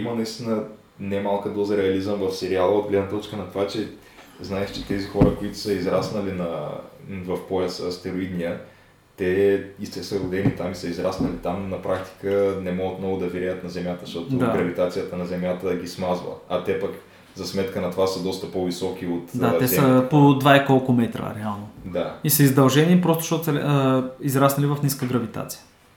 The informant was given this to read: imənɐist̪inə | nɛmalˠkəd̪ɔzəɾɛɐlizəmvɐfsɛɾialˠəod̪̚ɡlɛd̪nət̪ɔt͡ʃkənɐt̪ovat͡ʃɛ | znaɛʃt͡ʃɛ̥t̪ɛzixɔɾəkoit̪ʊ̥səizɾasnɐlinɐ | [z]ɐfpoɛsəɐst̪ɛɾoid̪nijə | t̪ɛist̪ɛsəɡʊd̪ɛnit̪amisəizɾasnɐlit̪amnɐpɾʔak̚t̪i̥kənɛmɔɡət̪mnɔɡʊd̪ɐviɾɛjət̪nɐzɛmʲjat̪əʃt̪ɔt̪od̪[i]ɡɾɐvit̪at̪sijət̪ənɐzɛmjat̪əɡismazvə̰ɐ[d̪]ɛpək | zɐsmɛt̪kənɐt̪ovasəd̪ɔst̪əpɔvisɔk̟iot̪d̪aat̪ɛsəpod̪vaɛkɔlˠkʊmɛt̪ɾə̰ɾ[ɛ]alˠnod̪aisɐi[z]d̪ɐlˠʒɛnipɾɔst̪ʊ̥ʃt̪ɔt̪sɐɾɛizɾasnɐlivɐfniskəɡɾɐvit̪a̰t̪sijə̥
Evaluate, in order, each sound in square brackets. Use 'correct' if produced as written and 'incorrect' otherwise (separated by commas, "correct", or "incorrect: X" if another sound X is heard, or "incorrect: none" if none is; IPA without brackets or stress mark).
incorrect: v, incorrect: a, incorrect: t̪, correct, correct